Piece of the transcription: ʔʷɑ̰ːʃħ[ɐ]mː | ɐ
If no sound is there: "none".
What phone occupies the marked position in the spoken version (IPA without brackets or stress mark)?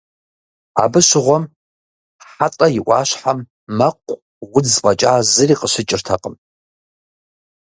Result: a